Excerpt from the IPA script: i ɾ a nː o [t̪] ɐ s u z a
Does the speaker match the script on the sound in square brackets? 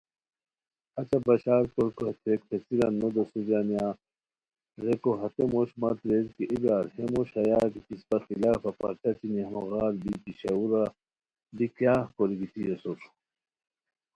no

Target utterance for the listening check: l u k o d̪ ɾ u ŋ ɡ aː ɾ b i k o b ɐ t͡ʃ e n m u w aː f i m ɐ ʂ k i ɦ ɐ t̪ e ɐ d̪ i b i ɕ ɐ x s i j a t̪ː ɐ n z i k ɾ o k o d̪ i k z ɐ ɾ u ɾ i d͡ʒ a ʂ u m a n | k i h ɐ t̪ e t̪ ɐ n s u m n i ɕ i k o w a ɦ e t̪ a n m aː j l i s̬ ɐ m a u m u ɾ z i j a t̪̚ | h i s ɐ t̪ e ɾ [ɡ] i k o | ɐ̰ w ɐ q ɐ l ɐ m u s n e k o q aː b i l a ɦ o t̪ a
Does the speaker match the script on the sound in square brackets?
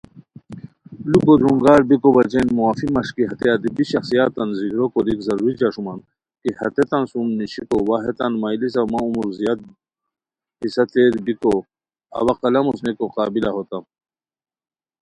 no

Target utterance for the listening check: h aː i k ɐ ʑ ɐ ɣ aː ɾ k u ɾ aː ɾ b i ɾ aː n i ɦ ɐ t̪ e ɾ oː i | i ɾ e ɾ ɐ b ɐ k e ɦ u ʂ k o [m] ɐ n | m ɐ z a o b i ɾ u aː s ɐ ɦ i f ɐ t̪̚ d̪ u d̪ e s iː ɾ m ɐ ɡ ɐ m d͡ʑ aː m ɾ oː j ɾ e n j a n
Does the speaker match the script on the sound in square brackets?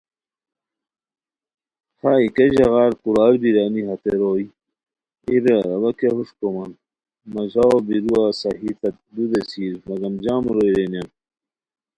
yes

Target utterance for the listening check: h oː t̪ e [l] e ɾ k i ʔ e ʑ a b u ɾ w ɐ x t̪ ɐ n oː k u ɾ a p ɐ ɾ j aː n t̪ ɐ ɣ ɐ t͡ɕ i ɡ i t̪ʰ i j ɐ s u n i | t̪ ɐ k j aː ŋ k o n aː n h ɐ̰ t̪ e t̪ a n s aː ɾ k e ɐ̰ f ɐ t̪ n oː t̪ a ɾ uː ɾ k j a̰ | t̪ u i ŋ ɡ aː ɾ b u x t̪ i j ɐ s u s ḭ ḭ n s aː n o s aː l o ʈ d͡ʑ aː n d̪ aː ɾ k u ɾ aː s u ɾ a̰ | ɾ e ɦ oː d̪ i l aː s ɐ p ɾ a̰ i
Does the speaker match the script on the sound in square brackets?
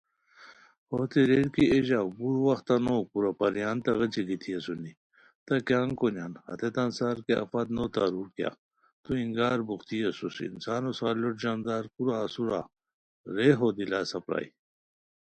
no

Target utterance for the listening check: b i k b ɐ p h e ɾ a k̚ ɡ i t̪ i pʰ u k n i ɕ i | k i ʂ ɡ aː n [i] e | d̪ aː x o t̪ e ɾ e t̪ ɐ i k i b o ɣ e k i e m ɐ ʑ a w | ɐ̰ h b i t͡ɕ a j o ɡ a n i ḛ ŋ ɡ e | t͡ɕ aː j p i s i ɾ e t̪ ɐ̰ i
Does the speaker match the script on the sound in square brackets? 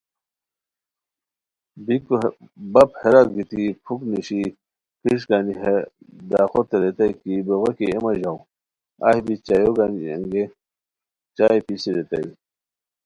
yes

